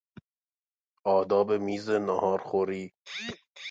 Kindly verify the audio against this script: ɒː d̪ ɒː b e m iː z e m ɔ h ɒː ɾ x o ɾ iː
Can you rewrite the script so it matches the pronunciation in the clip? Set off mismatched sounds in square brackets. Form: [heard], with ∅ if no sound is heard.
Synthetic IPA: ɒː d̪ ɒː b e m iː z e [n] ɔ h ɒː ɾ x o ɾ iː